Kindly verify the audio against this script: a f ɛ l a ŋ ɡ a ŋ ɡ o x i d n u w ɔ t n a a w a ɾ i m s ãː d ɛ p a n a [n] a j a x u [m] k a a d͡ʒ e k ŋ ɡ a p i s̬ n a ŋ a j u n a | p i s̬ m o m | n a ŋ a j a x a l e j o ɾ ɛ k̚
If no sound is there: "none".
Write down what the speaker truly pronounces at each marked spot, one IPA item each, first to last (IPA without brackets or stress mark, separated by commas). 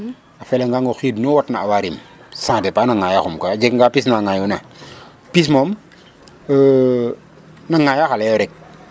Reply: ŋ, m